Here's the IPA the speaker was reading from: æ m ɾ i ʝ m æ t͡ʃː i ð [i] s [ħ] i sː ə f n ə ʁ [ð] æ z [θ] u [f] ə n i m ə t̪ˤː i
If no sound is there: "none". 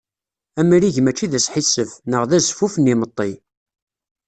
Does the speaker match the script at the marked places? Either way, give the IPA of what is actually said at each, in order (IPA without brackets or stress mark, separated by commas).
æ, ħ, ð, f, f